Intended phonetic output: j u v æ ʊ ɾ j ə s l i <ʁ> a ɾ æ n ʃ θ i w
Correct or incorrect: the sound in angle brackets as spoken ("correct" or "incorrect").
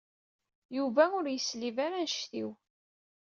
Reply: incorrect